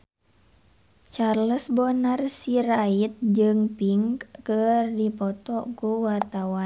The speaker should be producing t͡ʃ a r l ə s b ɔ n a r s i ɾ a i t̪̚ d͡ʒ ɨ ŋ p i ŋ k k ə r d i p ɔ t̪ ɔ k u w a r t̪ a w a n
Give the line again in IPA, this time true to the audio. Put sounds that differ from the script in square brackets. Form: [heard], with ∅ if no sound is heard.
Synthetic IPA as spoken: t͡ʃ a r l ə s b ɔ n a r s i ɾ a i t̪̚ d͡ʒ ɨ ŋ p i ŋ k k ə r d i p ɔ t̪ ɔ k u w a r t̪ a w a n